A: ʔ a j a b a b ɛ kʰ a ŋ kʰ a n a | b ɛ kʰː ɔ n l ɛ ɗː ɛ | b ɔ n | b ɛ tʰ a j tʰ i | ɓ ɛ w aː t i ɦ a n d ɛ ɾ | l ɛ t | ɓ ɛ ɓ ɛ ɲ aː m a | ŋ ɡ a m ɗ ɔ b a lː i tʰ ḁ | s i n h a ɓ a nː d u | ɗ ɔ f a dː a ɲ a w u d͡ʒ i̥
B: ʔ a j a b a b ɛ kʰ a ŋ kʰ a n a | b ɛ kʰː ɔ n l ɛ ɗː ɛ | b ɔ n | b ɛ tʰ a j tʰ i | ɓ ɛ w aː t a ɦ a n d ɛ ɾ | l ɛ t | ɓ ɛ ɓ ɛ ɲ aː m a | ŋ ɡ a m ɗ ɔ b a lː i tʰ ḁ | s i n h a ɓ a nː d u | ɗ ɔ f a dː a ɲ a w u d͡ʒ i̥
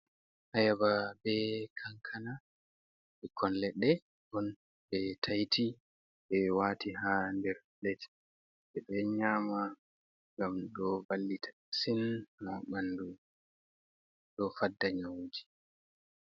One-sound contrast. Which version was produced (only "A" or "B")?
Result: A